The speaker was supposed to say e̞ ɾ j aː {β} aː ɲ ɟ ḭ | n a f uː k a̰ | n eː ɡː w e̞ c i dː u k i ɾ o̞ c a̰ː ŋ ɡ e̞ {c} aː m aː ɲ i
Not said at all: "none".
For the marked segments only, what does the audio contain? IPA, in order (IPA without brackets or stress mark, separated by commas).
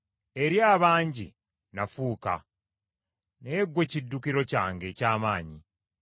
β, c